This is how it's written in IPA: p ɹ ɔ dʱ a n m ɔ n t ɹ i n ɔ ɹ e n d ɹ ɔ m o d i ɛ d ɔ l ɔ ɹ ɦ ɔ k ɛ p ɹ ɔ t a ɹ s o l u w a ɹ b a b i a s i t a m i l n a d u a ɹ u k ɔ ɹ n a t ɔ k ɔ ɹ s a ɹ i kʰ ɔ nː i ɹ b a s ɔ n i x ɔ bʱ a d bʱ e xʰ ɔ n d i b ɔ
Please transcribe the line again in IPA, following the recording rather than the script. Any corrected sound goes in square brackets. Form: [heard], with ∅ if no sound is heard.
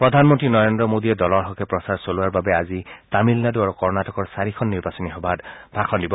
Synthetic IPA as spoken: p ɹ ɔ dʱ a n m ɔ n t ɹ i n ɔ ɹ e n d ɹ ɔ m o d i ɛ d ɔ l ɔ ɹ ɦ ɔ k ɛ p ɹ ɔ [s] a ɹ s o l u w a ɹ b a b [ɛ] a [z] i t a m i l n a d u a ɹ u k ɔ ɹ n a t ɔ k ɔ ɹ s a ɹ i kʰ ɔ nː i ɹ b a s ɔ n i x ɔ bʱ a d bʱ [a] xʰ ɔ n d i b ɔ